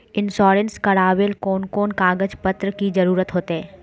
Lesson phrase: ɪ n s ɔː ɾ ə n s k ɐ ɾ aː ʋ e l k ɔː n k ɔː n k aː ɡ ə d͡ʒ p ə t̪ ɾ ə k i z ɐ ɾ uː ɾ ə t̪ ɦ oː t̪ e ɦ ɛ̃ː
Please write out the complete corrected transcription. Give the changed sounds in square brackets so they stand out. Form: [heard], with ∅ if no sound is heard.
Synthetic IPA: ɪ n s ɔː ɾ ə n s k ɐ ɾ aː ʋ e l k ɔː n k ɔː n k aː ɡ ə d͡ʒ p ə t̪ ɾ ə k i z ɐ ɾ uː ɾ ə t̪ ɦ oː t̪ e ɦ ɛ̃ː